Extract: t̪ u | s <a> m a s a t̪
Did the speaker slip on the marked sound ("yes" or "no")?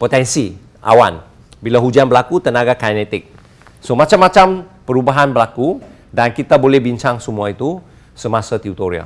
yes